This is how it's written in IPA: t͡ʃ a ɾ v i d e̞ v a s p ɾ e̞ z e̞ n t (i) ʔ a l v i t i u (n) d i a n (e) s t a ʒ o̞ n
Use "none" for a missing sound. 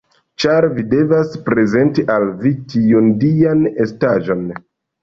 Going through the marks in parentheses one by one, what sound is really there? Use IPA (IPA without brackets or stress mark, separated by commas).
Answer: i, n, e